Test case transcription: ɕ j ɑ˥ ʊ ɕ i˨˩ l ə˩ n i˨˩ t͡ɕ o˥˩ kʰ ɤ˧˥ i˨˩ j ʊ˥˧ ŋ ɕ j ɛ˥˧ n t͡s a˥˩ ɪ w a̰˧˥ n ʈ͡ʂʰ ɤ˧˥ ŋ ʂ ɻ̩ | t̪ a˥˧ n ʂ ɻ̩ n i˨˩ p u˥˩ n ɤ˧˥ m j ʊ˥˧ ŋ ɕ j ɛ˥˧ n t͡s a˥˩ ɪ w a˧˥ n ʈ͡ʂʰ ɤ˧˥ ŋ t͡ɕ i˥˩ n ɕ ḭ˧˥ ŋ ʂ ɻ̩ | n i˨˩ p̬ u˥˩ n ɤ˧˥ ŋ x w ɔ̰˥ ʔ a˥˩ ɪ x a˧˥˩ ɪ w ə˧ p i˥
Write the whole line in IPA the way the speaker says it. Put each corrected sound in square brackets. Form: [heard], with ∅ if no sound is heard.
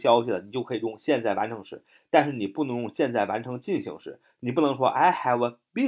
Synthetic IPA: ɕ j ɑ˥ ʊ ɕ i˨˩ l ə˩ n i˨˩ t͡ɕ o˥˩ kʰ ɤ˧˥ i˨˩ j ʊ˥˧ ŋ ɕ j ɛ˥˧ n t͡s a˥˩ ɪ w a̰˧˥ n ʈ͡ʂʰ ɤ˧˥ ŋ ʂ ɻ̩ | t̪ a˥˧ n ʂ ɻ̩ n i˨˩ p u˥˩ n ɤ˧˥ [ŋ] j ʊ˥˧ ŋ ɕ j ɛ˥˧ n t͡s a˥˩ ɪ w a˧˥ n ʈ͡ʂʰ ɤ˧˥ ŋ t͡ɕ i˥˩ n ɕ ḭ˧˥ ŋ ʂ ɻ̩ | n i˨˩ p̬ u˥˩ n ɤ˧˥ ŋ [ʂ] w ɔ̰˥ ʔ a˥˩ ɪ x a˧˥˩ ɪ w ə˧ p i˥